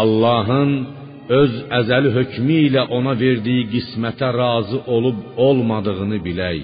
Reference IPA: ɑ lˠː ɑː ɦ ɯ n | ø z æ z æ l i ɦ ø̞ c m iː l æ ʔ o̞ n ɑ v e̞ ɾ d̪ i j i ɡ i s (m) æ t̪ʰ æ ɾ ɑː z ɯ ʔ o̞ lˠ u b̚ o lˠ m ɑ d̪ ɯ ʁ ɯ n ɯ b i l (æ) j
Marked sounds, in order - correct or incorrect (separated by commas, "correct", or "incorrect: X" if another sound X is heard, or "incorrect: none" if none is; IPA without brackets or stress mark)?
correct, correct